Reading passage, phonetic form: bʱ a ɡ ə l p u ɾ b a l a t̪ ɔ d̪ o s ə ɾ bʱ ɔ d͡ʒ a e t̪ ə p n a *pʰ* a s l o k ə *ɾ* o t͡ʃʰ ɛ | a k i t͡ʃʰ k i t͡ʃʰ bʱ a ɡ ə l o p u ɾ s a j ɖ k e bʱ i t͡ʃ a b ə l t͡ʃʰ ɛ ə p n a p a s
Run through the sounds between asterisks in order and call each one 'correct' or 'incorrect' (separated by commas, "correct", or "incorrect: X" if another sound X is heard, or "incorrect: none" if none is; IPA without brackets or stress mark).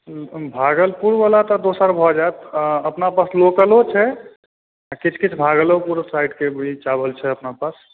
incorrect: p, incorrect: l